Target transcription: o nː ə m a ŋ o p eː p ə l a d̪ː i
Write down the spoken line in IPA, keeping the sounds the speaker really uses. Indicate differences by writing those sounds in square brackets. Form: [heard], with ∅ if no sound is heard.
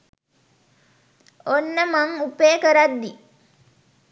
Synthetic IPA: o nː ə m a ŋ [u] p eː [k] ə [ɾ] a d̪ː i